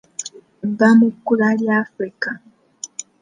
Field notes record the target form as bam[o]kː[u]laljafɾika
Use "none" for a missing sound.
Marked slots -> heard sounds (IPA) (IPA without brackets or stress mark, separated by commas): u, u